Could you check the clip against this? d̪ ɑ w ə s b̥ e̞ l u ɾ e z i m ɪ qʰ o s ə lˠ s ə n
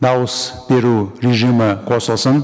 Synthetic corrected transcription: d̪ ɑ w ə s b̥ e̞ ɾ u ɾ e ʒ i m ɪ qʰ o s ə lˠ s ə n